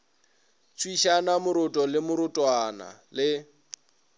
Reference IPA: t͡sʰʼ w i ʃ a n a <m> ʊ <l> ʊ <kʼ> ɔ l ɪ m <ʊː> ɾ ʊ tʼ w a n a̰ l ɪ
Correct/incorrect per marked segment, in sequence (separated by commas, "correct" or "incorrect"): correct, incorrect, incorrect, incorrect